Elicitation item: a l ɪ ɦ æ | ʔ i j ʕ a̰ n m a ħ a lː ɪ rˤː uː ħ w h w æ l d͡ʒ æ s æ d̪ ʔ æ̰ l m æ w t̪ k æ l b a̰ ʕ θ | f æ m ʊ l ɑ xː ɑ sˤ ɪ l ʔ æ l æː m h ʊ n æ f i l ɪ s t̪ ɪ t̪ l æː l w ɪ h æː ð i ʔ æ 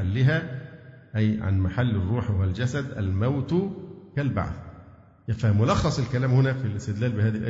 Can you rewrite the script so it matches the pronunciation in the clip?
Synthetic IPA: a lː ɪ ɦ æ | ʔ æ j ʕ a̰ n m a ħ a lː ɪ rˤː uː ħ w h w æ l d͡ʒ æ s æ d̪ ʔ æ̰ l m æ w t̪ k æ l b a̰ ʕ θ | f æ m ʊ l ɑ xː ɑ sˤ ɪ l k æ l æː m h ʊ n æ f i l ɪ s t̪ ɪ d̪ l æː l b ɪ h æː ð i ʔ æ